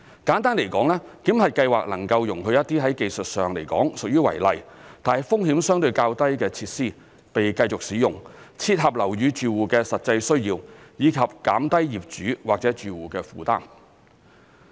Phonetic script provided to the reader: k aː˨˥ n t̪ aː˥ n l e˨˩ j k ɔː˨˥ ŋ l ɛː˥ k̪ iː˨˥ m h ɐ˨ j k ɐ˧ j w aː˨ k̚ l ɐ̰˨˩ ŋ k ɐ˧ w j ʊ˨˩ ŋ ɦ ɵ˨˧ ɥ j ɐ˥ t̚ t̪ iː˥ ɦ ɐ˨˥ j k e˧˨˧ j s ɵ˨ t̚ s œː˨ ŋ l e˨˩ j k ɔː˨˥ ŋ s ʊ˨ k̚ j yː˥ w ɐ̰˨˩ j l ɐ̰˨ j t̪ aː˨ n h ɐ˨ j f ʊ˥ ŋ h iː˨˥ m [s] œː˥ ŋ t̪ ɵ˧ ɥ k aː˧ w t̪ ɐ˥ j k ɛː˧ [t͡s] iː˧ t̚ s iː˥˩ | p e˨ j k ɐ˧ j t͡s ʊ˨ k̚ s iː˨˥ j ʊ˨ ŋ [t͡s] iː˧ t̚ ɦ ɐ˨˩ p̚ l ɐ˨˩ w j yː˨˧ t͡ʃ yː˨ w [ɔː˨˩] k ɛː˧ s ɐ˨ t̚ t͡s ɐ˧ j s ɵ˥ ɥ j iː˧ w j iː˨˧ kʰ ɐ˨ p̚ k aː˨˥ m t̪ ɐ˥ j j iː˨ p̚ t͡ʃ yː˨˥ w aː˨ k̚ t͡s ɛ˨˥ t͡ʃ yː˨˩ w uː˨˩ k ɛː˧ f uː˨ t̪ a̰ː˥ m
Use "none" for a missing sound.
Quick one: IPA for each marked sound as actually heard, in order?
s, t͡sʰ, t͡sʰ, uː˨˩

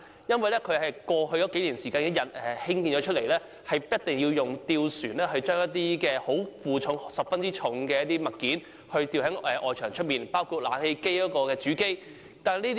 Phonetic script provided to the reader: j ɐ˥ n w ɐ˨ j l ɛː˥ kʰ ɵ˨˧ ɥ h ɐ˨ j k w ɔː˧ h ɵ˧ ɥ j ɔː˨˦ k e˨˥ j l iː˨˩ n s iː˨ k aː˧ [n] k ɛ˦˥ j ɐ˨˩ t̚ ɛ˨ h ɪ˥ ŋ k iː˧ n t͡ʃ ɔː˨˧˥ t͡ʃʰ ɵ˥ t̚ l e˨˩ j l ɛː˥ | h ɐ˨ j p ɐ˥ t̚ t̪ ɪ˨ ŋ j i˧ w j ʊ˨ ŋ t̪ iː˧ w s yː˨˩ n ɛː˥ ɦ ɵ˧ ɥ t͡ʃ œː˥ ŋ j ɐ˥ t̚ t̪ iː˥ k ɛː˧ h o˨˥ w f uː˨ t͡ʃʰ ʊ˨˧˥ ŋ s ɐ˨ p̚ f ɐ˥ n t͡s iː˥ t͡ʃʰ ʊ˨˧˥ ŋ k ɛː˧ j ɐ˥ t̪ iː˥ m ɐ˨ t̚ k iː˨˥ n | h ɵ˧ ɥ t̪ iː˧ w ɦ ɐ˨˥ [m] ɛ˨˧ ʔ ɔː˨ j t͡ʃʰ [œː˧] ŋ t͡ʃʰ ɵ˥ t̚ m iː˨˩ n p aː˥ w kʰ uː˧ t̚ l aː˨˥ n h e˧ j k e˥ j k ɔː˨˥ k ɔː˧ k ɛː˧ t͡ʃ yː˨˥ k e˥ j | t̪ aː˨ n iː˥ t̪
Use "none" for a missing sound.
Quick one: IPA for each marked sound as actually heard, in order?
n, ŋ, œː˨˩

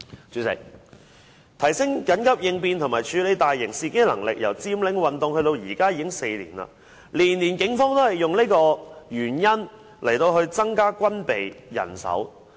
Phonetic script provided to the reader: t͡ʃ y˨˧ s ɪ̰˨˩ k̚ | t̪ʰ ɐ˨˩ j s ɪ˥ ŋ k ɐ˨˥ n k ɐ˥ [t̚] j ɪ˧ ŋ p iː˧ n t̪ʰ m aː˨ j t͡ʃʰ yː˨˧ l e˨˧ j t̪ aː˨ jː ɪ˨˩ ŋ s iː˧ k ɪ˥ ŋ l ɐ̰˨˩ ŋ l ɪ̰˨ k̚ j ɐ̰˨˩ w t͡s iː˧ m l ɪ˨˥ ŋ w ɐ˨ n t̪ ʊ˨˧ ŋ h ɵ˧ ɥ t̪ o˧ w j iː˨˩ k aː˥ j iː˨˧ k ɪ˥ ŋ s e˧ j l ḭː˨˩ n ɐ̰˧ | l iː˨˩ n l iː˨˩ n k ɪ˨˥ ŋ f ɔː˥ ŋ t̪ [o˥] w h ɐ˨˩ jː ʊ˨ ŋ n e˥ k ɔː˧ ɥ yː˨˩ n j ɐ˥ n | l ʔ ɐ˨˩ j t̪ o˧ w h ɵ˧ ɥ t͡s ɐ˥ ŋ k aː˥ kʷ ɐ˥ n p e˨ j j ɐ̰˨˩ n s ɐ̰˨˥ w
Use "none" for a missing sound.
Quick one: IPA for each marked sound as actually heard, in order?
p̚, o˥

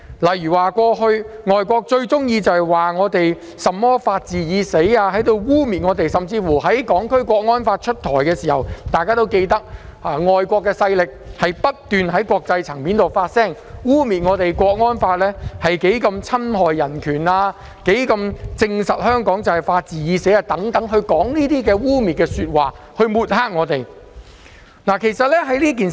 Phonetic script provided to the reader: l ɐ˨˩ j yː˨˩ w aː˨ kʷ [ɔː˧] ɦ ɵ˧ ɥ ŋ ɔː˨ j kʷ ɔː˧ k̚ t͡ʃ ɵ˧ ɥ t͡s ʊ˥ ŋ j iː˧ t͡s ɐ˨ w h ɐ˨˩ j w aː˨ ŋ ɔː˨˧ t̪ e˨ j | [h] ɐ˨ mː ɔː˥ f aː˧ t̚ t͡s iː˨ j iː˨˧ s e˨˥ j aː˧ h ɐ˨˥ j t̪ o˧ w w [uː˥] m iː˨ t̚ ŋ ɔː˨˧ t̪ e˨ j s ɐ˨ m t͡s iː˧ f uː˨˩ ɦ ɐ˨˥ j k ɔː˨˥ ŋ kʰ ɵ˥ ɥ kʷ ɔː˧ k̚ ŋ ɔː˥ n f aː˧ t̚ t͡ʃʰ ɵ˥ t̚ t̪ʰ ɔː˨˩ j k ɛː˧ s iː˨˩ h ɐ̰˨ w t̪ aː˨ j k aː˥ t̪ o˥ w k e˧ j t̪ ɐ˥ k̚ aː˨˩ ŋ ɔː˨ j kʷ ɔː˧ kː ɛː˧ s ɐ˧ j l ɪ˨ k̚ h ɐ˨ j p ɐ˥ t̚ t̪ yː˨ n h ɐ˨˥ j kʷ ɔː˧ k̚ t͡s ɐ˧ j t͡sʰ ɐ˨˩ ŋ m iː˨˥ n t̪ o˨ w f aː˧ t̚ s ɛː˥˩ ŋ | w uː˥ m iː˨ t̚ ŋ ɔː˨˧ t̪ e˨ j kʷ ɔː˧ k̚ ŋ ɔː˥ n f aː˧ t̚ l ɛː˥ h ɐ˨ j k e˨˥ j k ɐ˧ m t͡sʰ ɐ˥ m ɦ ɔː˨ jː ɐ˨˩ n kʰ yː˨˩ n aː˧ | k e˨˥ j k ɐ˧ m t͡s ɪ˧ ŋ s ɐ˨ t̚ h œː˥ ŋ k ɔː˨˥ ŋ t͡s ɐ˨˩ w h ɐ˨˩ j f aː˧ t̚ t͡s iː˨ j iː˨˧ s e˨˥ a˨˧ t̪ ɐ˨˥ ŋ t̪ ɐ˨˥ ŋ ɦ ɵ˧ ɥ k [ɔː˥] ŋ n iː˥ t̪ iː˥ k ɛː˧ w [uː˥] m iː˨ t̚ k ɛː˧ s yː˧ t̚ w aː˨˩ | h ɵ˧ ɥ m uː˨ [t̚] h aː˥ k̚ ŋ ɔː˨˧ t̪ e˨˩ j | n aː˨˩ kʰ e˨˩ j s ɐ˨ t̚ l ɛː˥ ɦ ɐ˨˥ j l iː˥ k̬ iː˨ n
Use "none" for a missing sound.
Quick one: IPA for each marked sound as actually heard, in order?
ɔː˧, s, uː˥, ɔː˨˥, uː˥, t̚

